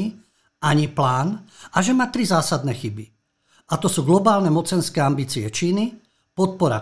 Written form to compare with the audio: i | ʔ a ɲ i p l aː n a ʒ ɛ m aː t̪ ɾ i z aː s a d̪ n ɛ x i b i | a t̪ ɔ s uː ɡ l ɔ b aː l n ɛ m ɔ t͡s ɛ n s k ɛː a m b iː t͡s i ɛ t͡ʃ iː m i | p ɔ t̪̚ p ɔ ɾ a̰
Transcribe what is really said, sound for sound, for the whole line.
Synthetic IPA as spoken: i | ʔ a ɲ i p l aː n a ʒ ɛ m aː t̪ ɾ i z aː s a d̪ n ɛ x i b i | a t̪ ɔ s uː ɡ l ɔ b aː l n ɛ m ɔ t͡s ɛ n s k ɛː a m b iː t͡s i ɛ t͡ʃ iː n i | p ɔ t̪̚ p ɔ ɾ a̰